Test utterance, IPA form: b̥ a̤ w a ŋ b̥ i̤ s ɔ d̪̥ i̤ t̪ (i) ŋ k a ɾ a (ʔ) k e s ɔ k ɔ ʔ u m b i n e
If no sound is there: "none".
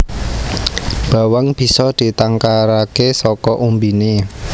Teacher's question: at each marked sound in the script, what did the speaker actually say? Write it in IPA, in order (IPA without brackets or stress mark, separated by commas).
a, none